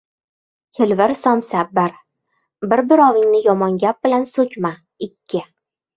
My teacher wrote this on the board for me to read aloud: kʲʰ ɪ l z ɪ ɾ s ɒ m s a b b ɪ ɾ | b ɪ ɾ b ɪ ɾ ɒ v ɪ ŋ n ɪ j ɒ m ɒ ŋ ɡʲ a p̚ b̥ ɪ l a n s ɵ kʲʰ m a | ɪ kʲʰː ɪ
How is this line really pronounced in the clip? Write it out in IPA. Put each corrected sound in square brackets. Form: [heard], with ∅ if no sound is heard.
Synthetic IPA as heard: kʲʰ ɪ l [v] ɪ ɾ s ɒ m s a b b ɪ ɾ | b ɪ ɾ b ɪ ɾ ɒ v ɪ ŋ n ɪ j ɒ m ɒ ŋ ɡʲ a p̚ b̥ ɪ l a n s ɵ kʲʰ m a | ɪ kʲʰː ɪ